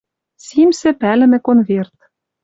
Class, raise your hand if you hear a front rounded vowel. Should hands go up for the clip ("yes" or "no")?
no